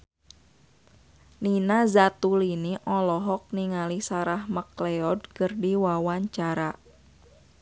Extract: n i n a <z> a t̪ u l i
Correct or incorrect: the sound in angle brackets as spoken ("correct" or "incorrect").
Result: correct